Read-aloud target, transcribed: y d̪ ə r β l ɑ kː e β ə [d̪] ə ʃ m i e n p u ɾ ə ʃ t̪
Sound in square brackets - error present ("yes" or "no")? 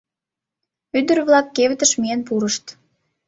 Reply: yes